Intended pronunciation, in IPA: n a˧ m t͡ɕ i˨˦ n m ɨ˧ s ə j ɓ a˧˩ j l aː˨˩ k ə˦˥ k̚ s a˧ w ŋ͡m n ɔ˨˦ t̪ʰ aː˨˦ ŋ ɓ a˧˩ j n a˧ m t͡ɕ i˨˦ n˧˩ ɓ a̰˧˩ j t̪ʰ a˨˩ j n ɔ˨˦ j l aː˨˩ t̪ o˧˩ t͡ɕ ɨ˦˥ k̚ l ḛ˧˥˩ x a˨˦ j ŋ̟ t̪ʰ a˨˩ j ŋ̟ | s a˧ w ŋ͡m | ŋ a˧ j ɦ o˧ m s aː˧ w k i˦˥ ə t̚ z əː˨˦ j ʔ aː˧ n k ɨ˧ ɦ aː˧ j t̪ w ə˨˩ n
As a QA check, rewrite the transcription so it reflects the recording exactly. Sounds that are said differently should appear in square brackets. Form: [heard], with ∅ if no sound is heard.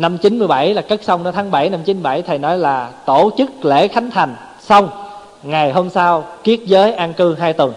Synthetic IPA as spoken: n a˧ m t͡ɕ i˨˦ n m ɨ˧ [∅] ə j ɓ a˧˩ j l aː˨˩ k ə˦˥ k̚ s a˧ w ŋ͡m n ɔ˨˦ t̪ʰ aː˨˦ ŋ ɓ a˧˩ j n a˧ m t͡ɕ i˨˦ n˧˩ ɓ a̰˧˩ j t̪ʰ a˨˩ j n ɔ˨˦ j l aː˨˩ t̪ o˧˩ t͡ɕ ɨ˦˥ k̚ l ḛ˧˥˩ x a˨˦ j ŋ̟ t̪ʰ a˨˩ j ŋ̟ | s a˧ w ŋ͡m | ŋ [a˨˩] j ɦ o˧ m s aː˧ w k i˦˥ ə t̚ z əː˨˦ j ʔ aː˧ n k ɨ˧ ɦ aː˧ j t̪ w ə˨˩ n